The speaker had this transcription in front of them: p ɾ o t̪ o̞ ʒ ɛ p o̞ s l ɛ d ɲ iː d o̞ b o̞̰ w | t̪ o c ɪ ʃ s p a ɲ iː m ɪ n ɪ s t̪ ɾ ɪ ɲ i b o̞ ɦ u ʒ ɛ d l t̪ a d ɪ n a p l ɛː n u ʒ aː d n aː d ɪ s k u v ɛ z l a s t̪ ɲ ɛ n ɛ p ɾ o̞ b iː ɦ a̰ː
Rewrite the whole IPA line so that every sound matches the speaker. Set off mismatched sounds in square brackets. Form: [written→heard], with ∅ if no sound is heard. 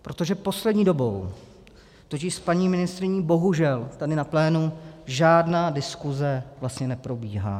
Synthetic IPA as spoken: p ɾ o t̪ o̞ ʒ ɛ p o̞ s l ɛ d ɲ iː d o̞ b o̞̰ w | t̪ o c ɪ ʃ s p a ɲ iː m ɪ n ɪ s t̪ ɾ ɪ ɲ i b o̞ ɦ u ʒ ɛ [d→∅] l t̪ a d ɪ n a p l ɛː n u ʒ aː d n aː d ɪ s k u [v→z] ɛ [z→v] l a s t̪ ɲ ɛ n ɛ p ɾ o̞ b iː ɦ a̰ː

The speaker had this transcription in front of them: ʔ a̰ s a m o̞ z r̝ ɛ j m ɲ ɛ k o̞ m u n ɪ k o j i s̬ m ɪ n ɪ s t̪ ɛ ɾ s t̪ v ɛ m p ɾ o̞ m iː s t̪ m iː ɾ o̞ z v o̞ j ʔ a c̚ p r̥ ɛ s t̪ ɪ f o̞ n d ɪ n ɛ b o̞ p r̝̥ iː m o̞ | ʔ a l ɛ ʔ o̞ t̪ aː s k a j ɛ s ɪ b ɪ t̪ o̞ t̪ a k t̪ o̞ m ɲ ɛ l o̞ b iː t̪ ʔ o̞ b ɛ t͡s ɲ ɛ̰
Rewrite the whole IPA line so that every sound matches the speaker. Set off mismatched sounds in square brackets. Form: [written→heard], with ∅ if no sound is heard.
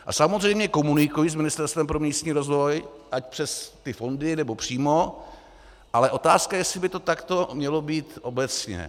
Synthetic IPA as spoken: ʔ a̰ s a m o̞ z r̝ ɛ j m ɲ ɛ k o̞ m u n ɪ k [o→u] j i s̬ m ɪ n ɪ s t̪ ɛ ɾ s t̪ v ɛ m p ɾ o̞ m iː s t̪ [m→ɲ] iː ɾ o̞ z v o̞ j ʔ a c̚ p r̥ ɛ s t̪ ɪ f o̞ n d ɪ n ɛ b o̞ p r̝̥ iː m o̞ | ʔ a l ɛ ʔ o̞ t̪ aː s k a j ɛ s ɪ b ɪ t̪ o̞ t̪ a k t̪ o̞ m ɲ ɛ l o̞ b iː t̪ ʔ o̞ b ɛ t͡s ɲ ɛ̰

